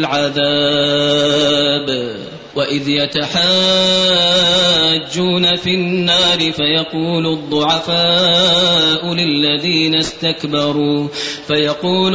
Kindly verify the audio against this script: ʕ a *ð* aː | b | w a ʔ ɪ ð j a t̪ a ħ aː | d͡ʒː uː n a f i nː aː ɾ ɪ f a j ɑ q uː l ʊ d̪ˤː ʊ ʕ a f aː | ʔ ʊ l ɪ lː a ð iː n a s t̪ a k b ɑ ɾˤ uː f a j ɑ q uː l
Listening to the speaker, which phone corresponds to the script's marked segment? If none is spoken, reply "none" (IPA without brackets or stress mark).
ð